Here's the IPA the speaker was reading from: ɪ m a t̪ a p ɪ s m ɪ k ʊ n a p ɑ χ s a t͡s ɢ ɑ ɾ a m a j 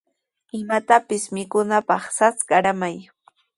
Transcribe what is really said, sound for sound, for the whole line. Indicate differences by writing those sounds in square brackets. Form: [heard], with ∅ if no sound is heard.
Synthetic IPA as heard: ɪ m a t̪ a p ɪ s m ɪ k ʊ n a p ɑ χ s a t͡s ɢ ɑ ɾ a m a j